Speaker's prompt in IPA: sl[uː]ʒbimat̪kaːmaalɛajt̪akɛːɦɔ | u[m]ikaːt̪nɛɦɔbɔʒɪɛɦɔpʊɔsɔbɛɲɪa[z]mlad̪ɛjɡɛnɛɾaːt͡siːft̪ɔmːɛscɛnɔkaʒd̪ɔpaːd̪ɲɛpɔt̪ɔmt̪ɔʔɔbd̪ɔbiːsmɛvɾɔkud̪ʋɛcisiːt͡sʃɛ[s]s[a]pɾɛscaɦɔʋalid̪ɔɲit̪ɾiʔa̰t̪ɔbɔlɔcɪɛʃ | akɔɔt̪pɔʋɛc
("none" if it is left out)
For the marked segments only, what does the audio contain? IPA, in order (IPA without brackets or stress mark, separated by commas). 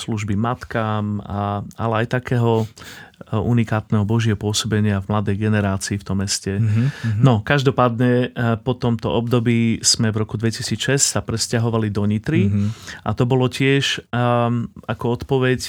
u, n, v, s, a